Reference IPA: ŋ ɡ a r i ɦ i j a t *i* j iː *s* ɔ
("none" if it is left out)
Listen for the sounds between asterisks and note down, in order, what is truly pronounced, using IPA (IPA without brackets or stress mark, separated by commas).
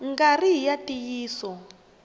i, s